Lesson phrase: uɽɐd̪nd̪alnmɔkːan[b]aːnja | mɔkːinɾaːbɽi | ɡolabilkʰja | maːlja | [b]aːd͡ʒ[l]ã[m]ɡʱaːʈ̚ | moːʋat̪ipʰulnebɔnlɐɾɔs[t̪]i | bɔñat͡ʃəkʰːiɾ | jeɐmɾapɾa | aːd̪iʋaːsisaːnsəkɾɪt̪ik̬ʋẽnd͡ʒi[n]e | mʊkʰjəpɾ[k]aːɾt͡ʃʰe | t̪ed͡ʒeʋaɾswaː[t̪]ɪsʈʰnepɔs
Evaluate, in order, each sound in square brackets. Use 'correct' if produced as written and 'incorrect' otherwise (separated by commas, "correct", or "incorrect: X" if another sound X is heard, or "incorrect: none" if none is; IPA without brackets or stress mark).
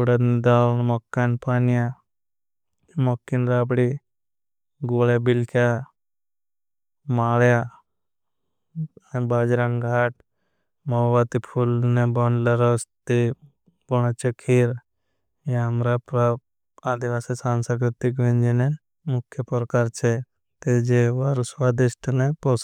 incorrect: p, correct, incorrect: ɾ, incorrect: ŋ, correct, correct, correct, incorrect: d̪